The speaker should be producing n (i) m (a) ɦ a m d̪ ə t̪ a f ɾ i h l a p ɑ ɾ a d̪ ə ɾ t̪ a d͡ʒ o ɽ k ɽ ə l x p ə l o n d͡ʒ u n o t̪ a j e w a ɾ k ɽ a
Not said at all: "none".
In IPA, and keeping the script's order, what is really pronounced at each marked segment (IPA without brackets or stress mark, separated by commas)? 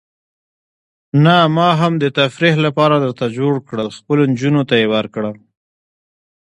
a, ɑ